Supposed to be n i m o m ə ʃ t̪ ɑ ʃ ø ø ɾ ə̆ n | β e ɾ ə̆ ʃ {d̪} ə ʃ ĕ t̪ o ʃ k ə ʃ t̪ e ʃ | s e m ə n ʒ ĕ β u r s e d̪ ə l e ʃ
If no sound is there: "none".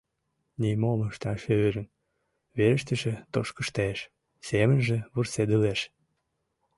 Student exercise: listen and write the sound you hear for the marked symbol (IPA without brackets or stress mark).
t̪